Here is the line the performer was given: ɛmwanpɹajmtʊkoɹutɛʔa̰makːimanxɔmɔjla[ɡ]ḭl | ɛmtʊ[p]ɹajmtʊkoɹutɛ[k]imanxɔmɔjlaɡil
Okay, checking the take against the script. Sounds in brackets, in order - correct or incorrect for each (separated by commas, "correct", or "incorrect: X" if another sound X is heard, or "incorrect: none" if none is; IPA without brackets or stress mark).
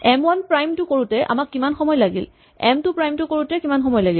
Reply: correct, correct, correct